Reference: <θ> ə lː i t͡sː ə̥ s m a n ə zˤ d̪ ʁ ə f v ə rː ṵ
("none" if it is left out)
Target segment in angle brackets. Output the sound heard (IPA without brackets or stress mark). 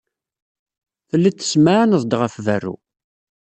θ